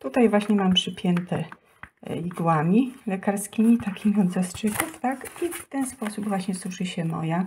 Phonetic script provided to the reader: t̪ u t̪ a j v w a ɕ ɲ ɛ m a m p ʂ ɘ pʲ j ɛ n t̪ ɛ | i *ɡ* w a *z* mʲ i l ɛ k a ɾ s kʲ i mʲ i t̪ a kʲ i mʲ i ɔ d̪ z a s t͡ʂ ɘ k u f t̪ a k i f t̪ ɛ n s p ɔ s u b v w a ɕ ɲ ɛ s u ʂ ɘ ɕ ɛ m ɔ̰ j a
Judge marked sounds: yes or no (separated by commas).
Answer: yes, no